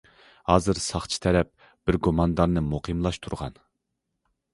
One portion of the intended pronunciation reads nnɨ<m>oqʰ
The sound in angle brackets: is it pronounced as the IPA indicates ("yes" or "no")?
yes